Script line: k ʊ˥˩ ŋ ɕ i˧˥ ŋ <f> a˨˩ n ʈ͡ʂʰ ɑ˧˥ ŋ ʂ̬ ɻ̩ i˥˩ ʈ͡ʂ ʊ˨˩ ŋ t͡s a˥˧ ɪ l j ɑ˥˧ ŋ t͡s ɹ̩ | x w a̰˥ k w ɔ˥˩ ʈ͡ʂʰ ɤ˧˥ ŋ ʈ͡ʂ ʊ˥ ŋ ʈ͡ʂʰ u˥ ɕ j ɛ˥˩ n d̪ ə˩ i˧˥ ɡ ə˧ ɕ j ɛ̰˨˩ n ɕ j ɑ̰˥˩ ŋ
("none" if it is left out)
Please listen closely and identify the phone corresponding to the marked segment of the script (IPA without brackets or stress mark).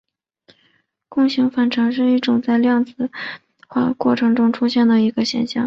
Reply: f